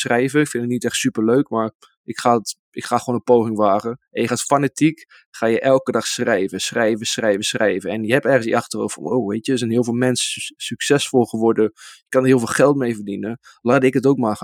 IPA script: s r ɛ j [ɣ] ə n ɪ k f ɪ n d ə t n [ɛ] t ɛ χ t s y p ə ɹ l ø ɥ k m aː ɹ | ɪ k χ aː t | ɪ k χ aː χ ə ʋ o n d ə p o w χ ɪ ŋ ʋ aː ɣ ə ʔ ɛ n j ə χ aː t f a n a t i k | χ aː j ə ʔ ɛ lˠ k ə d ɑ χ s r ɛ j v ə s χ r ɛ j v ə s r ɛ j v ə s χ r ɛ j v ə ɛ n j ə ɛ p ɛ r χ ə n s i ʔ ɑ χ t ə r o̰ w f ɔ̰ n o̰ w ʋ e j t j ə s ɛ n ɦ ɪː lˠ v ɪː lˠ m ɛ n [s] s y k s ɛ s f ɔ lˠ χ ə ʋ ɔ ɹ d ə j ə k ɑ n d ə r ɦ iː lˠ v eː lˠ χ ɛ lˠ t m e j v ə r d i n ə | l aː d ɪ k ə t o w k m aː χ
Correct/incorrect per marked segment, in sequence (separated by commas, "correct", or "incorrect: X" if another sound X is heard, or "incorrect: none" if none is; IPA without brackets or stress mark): incorrect: v, incorrect: i, correct